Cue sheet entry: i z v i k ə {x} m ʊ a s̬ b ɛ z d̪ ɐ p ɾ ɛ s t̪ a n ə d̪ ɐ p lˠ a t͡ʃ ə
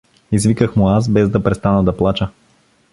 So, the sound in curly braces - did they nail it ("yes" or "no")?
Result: yes